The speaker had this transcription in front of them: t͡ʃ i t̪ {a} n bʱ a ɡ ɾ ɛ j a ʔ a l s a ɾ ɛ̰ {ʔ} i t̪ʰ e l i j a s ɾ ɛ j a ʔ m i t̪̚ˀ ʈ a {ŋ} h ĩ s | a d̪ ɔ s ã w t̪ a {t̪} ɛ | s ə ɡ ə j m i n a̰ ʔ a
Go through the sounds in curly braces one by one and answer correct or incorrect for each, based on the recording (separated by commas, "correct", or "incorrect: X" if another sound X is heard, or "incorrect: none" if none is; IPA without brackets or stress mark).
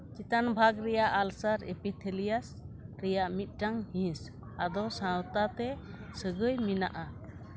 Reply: correct, incorrect: p, correct, correct